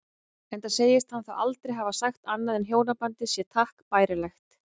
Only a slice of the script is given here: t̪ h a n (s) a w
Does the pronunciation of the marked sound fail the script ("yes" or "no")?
yes